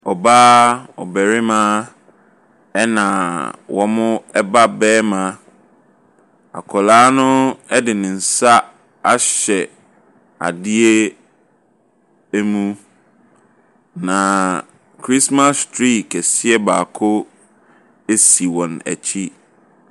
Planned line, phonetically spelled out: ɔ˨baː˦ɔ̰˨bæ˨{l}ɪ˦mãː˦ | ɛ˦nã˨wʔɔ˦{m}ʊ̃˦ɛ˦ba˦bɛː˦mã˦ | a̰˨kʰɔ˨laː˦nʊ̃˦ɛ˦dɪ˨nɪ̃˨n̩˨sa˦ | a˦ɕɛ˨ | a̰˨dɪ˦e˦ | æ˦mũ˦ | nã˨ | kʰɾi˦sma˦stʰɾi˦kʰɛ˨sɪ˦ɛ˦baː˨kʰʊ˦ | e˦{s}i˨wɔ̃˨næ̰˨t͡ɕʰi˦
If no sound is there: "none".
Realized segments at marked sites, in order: ɾ, m, s

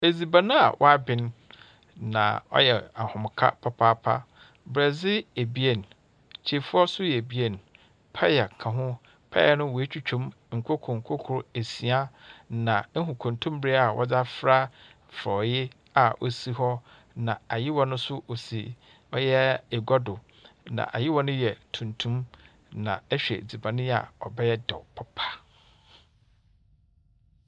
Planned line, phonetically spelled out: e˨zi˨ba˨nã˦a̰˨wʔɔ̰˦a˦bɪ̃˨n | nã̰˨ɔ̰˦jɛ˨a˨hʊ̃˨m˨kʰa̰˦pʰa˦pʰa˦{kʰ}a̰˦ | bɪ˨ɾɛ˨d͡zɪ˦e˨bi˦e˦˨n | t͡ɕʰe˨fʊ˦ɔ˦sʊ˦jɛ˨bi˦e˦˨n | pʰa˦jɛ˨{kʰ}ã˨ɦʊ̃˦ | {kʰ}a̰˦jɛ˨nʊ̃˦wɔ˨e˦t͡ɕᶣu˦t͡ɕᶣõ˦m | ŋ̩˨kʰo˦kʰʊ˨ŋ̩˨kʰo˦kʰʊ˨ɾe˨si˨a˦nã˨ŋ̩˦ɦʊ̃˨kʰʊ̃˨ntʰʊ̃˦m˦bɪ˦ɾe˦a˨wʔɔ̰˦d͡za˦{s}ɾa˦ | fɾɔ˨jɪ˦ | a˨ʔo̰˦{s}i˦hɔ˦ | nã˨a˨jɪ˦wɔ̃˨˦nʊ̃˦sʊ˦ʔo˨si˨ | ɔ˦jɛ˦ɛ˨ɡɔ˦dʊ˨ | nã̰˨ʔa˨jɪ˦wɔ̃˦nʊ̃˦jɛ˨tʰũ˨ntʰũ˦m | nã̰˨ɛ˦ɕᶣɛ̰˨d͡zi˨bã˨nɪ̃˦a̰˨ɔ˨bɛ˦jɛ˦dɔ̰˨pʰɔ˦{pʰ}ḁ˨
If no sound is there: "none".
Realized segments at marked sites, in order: pʰ, kʰ, pʰ, f, s, pʰ

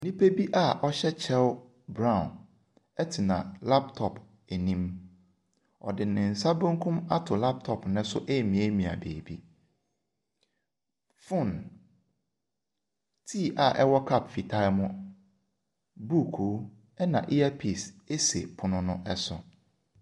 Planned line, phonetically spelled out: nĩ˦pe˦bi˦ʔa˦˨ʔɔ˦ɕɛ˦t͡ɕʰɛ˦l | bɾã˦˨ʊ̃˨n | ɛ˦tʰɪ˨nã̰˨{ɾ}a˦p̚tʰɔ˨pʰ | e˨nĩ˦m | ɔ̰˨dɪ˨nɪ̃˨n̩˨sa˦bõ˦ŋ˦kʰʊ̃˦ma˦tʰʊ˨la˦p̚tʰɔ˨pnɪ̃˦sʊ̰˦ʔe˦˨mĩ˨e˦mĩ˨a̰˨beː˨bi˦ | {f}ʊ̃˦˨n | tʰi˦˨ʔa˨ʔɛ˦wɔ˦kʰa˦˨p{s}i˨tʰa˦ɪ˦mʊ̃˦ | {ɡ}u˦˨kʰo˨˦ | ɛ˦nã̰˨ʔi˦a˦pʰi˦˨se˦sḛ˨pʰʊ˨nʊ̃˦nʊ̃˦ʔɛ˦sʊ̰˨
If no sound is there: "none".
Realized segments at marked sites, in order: l, f, f, b

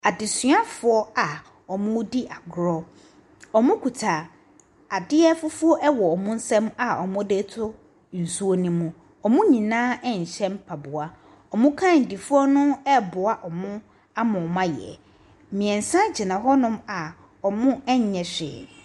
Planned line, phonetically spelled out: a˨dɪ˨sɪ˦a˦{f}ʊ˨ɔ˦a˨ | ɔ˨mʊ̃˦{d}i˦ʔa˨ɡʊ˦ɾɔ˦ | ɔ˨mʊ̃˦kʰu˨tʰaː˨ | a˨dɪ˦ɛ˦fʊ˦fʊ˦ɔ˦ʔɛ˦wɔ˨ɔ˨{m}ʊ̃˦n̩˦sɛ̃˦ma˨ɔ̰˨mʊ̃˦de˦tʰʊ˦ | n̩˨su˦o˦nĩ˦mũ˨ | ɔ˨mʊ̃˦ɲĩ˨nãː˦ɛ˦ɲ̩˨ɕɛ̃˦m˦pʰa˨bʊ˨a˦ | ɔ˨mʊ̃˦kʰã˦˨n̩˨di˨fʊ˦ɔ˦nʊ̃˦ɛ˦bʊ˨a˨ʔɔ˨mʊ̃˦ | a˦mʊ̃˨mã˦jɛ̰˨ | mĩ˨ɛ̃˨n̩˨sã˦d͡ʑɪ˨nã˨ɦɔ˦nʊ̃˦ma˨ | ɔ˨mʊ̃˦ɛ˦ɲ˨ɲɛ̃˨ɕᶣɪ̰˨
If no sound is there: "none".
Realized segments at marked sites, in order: f, d, m

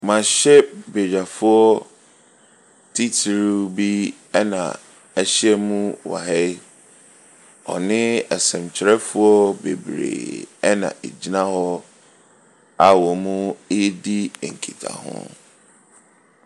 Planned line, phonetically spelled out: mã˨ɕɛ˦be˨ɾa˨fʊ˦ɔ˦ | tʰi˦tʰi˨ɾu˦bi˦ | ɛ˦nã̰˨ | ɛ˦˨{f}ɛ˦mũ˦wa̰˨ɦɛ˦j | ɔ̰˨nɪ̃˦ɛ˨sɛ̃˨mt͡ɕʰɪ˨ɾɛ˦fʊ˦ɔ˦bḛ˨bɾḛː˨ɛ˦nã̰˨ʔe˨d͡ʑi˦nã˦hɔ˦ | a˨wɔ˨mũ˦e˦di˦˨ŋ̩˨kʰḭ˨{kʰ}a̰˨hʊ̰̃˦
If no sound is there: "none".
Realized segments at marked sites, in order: ɕ, tʰ

